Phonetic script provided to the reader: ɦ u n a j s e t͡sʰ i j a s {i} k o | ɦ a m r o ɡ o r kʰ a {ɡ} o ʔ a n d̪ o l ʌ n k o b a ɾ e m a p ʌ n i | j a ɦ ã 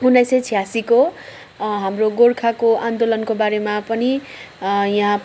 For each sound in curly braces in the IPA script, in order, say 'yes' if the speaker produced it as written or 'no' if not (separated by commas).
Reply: yes, no